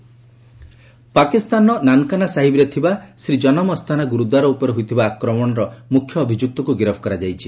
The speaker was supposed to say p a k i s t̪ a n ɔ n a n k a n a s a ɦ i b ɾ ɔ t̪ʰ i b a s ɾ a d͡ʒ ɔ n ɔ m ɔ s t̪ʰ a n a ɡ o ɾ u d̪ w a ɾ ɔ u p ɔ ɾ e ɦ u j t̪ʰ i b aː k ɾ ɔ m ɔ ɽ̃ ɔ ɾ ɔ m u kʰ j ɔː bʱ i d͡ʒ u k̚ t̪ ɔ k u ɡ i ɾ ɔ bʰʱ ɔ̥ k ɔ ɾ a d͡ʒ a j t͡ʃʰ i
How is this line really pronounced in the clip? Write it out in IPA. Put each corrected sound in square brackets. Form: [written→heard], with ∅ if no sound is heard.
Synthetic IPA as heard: p a k i s t̪ a n ɔ n a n k a n a s a ɦ i b ɾ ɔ t̪ʰ i b a s ɾ [a→i] d͡ʒ ɔ n ɔ m ɔ s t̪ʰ a n a ɡ [o→u] ɾ u d̪ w a ɾ ɔ u p ɔ ɾ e ɦ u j t̪ʰ i b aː k ɾ ɔ m ɔ ɽ̃ ɔ ɾ ɔ m u kʰ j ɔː bʱ i d͡ʒ u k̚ t̪ ɔ k u ɡ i ɾ ɔ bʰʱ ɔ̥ k ɔ ɾ a d͡ʒ a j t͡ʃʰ i